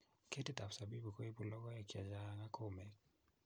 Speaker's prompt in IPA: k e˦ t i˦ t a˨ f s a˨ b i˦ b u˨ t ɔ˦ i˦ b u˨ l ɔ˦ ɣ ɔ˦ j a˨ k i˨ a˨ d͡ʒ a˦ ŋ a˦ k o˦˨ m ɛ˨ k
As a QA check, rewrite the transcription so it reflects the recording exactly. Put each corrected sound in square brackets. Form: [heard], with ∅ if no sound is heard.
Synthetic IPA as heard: k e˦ t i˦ t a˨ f s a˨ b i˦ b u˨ [k] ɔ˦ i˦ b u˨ l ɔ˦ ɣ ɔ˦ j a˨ k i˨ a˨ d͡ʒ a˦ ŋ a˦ k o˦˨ m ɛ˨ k